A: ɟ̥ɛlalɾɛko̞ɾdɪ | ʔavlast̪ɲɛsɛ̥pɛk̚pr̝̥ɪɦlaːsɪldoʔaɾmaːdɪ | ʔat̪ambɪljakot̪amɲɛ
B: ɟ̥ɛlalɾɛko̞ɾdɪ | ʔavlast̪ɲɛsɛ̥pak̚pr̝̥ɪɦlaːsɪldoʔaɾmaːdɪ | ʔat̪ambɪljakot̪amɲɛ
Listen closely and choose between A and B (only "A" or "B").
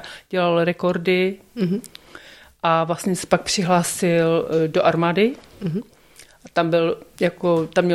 B